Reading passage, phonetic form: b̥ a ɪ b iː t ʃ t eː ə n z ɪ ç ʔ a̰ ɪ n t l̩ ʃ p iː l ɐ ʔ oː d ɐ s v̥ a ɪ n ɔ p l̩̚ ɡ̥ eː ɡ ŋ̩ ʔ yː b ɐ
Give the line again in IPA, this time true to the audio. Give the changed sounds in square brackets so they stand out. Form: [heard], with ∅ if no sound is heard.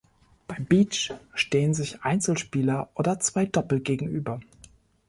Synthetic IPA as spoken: b̥ a ɪ b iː [t͡ʃ] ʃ t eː ə n z ɪ ç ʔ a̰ ɪ n [t͡s] l̩ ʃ p iː l ɐ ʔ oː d ɐ [t͡s] v̥ a ɪ [d] ɔ p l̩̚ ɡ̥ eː ɡ ŋ̩ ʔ yː b ɐ